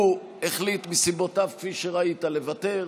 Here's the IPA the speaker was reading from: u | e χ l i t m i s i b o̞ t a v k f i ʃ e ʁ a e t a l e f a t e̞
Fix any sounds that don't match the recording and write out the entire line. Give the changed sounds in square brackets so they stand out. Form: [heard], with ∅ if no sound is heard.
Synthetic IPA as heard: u | e χ l i t m i s i b o̞ t a v k f i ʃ e ʁ a [i] t a l e [v] a t e̞